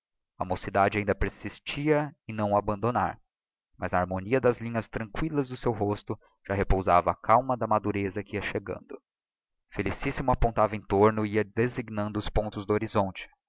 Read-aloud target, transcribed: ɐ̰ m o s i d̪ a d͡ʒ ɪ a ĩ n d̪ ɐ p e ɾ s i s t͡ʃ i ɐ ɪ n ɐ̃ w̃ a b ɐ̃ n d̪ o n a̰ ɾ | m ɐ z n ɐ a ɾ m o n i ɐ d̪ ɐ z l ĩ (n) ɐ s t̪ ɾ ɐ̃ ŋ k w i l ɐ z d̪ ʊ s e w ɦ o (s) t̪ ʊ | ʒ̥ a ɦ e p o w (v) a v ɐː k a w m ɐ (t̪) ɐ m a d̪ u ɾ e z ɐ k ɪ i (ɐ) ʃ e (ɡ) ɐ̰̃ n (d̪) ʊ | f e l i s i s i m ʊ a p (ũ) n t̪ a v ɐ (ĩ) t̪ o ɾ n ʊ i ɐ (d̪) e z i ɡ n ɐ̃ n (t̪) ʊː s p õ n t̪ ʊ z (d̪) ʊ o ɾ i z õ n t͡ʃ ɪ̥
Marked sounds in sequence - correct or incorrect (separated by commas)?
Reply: incorrect, correct, incorrect, incorrect, correct, correct, correct, incorrect, incorrect, correct, incorrect, correct